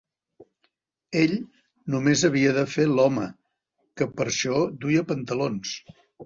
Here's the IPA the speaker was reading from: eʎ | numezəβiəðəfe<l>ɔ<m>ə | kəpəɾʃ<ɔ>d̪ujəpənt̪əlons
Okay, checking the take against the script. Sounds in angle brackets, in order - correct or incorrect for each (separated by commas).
correct, correct, correct